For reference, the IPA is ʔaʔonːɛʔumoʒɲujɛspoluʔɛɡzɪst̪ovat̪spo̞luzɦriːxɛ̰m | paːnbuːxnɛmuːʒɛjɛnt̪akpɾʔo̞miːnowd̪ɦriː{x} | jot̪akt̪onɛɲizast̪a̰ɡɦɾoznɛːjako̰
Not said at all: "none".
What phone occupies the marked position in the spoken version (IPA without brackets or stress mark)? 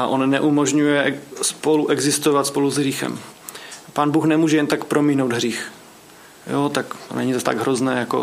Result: x